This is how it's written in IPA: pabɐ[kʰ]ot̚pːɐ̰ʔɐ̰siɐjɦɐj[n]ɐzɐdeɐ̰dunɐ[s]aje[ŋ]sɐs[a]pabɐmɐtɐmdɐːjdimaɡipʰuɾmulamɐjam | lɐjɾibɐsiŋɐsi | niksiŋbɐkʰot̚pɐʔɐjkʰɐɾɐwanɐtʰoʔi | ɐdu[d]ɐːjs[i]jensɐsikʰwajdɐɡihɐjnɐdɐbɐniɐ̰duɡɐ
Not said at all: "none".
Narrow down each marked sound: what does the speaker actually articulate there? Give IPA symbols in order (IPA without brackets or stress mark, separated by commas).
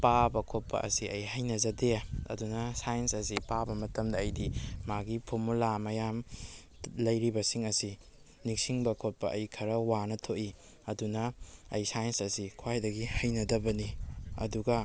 kʰ, n, s, n, i, n, a